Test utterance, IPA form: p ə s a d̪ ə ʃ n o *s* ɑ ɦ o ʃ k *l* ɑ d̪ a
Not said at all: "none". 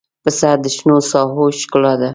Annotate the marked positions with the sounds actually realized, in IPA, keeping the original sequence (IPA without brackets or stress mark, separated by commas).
s, l